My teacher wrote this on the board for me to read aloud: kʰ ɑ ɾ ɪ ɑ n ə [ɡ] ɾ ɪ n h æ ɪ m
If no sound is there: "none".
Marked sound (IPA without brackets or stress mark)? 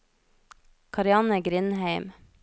ɡ